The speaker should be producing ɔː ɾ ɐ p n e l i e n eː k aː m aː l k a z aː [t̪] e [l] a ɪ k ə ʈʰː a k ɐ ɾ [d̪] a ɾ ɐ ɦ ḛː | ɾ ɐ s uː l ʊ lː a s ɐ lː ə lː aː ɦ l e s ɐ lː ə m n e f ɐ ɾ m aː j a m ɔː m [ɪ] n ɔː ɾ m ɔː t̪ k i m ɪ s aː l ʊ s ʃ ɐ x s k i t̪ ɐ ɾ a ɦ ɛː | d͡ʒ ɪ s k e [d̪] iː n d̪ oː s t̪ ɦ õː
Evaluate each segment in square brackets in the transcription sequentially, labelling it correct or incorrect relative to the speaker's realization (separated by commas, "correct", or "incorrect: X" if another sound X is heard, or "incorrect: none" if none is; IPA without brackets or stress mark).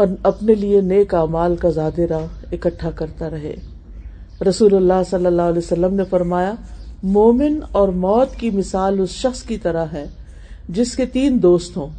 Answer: incorrect: d̪, incorrect: ɾ, incorrect: t̪, correct, incorrect: t̪